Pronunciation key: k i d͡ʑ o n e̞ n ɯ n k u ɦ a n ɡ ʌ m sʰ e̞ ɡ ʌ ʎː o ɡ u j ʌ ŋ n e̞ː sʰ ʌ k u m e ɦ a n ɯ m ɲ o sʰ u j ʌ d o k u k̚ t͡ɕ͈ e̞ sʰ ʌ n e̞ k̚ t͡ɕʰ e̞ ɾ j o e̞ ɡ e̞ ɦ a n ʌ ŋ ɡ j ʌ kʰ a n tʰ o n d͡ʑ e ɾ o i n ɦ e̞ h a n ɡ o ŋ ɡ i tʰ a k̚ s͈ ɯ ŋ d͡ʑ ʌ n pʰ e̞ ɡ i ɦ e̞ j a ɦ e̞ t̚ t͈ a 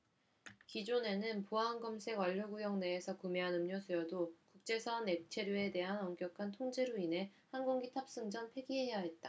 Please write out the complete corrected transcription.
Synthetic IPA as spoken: k i d͡ʑ o n e̞ n ɯ n p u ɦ a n ɡ ʌ m sʰ e̞ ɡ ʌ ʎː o ɡ u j ʌ ŋ n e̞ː sʰ ʌ k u m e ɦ a n ɯ m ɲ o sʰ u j ʌ d o k u k̚ t͡ɕ͈ e̞ sʰ ʌ n e̞ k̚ t͡ɕʰ e̞ ɾ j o e̞ d e̞ ɦ a n ʌ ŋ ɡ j ʌ kʰ a n tʰ o ŋ d͡ʑ e ɾ o i n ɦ e̞ h a n ɡ o ŋ ɡ i tʰ a p̚ s͈ ɯ ŋ d͡ʑ ʌ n pʰ e̞ ɡ i ɦ e̞ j a ɦ e̞ t̚ t͈ a